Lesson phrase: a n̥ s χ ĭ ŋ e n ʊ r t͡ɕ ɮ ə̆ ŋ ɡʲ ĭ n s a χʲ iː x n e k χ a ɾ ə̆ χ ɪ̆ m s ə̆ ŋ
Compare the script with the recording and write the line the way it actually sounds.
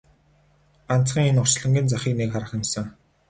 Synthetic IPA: a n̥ t͡s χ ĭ ŋ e n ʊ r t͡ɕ ɮ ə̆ ŋ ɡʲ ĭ n t͡s a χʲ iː k n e k χ a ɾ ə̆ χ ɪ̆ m s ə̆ ŋ

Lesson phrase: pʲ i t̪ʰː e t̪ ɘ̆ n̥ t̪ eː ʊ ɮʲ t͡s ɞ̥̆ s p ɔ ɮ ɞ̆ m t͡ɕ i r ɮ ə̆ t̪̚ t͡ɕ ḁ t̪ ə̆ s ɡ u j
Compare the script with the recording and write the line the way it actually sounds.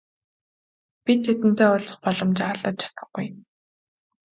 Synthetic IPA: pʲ i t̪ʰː e t̪ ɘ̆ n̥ t̪ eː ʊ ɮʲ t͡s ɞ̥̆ χ p ɔ ɮ ɞ̆ m t͡ɕ a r ɮ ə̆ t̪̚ t͡ɕʰ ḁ t̪ ə̆ χ ɡ u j

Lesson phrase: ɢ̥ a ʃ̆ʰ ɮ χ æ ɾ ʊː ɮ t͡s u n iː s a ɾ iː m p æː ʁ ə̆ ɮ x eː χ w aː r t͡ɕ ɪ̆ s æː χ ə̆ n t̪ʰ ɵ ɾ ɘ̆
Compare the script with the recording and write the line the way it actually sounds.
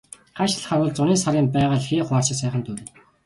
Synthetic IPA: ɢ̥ a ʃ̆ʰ ɮ χ a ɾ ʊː ɮ t͡s ʊ n iː s a ɾ iː m p æː ʁ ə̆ ɮ x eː χ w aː r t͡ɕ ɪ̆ s æː χ ə̆ n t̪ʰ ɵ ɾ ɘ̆

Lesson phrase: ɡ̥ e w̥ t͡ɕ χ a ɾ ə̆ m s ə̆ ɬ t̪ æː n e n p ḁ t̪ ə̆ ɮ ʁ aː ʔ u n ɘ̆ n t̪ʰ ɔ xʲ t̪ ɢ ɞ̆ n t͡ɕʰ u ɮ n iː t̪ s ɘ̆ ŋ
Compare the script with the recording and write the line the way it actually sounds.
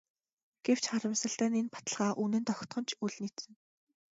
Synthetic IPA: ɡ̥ e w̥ t͡ɕ χ a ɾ ə̆ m s ə̆ ɬ t̪ æː n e n p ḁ t̪ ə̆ ɮ ʁ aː ʔ u n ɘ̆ n t̪ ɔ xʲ t̪ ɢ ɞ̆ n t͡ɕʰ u ɮ n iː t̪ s ɘ̆ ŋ

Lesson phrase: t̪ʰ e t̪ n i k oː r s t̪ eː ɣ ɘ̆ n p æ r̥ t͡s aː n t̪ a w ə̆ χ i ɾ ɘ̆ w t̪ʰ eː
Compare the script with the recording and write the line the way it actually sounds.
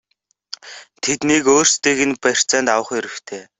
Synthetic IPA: t̪ʰ e t̪ n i k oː r s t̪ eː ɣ ɘ̆ n p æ r̥ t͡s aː n t̪ a w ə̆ χ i ɾ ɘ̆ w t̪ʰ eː

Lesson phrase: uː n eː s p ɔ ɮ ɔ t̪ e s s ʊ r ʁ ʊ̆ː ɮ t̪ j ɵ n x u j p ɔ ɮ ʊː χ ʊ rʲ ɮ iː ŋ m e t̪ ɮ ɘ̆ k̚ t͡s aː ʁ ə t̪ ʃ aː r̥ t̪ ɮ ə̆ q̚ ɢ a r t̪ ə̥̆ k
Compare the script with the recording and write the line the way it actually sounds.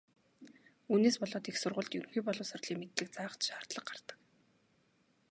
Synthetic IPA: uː n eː s p ɔ ɮ ɔː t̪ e x s ʊ r ʁ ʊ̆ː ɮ t̪ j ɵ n x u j p ɔ ɮ ʊː s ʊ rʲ ɮ iː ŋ m e t̪ ɮ ɘ̆ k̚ t͡s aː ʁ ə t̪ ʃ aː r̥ t̪ ɮ ə̆ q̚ ɢ a r t̪ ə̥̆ k

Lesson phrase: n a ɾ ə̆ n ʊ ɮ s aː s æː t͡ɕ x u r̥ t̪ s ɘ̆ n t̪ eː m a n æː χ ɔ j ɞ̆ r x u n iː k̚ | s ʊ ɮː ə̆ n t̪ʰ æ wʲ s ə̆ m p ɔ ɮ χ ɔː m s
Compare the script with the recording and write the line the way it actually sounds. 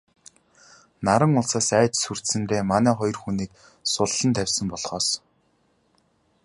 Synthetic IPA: n a ɾ ə̆ ŋ ʊ ɮ s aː s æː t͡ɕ s u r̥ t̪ s ɘ̆ n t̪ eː m a n æː χ ɔ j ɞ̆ r x u n iː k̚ | s ʊ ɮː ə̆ n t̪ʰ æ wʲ s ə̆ m p ɔ ɮ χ ɔː s

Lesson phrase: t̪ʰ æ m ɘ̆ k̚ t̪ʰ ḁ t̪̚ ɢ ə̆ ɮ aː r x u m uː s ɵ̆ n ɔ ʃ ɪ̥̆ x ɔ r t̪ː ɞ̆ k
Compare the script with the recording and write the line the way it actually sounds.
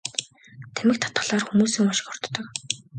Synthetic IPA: t̪ʰ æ m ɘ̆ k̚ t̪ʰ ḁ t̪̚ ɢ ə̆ ɮ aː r x u m uː s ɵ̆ ŋ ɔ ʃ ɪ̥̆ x ɔ r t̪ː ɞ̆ k

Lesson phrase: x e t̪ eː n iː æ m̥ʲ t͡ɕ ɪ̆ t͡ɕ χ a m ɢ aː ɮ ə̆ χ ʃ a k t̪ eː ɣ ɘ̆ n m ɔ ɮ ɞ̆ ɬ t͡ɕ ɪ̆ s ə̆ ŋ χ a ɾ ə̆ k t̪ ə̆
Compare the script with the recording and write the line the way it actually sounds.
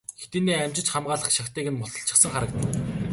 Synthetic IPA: x e t̪ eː n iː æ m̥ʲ t͡ɕ ɪ̆ t͡ɕ χ a m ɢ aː ɮ ə̆ χ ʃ a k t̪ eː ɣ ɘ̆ n m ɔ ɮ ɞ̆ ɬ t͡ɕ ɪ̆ s ə̆ ŋ χ a ɾ ə̆ k t̪ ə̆

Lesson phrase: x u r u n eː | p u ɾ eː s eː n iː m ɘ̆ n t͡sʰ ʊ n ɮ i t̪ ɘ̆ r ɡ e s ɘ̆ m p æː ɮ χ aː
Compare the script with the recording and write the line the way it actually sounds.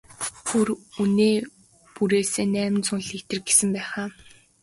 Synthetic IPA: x u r u n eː | p u ɾ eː s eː n æː m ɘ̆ n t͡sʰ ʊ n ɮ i t̪ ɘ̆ r ɡ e s ɘ̆ m p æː χ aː

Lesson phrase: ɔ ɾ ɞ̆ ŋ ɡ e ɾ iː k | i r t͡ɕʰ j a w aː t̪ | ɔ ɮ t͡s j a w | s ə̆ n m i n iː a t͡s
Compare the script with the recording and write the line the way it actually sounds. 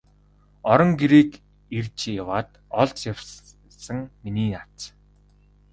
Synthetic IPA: ɔ ɾ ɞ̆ ŋ ɡ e ɾ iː k | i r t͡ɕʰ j a w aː t̪ | ɔ ɮ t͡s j a w | s ə̆ ŋ m i n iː a t͡s

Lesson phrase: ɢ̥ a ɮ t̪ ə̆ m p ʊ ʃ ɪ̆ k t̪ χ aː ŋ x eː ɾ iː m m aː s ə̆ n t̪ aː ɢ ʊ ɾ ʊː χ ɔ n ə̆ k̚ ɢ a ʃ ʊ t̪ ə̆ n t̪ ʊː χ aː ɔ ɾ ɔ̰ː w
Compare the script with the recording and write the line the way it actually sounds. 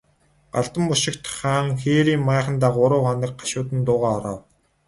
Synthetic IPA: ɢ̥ a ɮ t̪ ə̆ m p ʊ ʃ ɪ̆ k t̪ χ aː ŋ x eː ɾ iː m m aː χ ə̆ n t̪ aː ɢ ʊ ɾ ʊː χ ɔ n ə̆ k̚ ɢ a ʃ ʊː t̪ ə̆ n t̪ ʊː ʁ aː ɔ ɾ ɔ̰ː w

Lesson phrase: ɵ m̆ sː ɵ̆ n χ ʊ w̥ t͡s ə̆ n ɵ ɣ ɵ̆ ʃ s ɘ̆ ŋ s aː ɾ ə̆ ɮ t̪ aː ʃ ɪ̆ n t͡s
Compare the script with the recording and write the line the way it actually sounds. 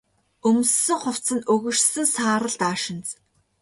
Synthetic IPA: ɵ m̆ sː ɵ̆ ŋ χ ʊ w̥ t͡s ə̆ n ɵ ɣ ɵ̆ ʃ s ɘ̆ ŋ s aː ɾ ə̆ ɮ t̪ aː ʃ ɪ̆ n t͡s

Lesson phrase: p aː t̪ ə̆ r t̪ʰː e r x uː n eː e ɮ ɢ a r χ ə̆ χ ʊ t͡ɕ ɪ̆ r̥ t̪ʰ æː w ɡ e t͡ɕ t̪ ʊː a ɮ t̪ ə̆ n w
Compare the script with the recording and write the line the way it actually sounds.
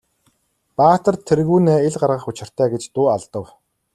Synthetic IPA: p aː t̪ ə̆ r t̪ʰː e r ɣ uː n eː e ɮ ɢ a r ʁ ə̆ χ ʊ t͡ɕ ɪ̆ r̥ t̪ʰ æː ɡ e t͡ɕ t̪ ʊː a ɮ t̪ ə̆ w

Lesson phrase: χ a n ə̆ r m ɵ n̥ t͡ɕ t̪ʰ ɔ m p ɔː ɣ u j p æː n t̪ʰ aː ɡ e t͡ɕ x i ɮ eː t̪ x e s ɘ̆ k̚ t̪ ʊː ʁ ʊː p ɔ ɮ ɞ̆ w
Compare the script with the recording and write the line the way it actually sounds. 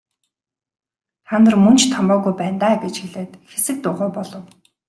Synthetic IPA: χ a n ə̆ r m ɵ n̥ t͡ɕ t̪ʰ ɔ m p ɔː ɣ u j p æː n t̪ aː ɡ e t͡ɕ x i ɮ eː t̪ x e s ɘ̆ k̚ t̪ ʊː ʁ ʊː p ɔ ɮ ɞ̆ w

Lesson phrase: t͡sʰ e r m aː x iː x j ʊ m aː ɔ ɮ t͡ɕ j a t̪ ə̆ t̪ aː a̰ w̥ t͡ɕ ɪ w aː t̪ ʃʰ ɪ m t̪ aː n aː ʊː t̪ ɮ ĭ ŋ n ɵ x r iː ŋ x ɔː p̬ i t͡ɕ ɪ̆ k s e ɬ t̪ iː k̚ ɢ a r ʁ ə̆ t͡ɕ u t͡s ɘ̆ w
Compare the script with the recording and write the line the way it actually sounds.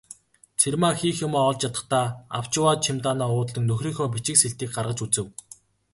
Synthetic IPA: t͡sʰ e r m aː x iː x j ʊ m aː ɔ ɮ t͡ɕ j a t̪ ə̆ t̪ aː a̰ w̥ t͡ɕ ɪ w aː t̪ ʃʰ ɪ m t̪ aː n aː ʊː t̪ ɮ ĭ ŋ n ɵ x r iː ŋ x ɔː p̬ i t͡ɕ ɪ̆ k s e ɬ t̪ iː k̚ ɢ a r ʁ ə̆ t͡ɕ u t͡s ɘ̆ w

